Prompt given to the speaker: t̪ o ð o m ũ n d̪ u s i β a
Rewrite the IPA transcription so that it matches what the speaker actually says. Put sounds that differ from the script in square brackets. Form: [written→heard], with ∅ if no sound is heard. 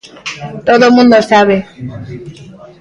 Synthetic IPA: t̪ o ð o m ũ n d̪ [u→o] s [i→a] β [a→e]